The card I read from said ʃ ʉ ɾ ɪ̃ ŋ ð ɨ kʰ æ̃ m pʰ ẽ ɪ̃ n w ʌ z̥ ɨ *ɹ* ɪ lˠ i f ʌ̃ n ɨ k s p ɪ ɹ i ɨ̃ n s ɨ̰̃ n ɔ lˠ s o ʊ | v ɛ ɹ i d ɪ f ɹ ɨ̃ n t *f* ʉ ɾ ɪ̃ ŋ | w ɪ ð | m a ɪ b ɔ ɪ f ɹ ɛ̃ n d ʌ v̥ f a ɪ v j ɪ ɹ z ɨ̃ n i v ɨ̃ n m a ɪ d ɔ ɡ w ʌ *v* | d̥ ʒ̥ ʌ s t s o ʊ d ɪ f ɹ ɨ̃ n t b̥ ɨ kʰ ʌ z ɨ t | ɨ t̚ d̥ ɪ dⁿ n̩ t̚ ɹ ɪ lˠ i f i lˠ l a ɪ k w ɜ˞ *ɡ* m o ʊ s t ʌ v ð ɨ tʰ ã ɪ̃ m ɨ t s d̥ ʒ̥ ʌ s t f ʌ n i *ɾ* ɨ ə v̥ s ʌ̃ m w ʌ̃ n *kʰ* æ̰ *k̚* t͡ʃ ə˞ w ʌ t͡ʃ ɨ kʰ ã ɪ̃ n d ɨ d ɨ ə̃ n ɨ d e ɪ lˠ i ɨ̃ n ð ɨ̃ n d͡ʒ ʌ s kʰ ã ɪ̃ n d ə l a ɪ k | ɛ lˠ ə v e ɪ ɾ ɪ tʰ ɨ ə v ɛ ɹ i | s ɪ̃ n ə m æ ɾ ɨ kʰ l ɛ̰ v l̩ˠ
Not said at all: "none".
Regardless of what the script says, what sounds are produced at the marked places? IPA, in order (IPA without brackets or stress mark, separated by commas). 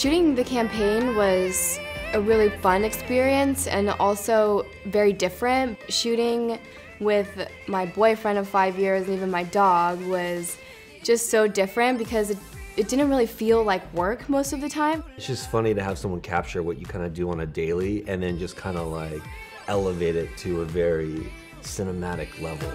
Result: ɹ, ʃ, z, k, ɾ, kʰ, p̚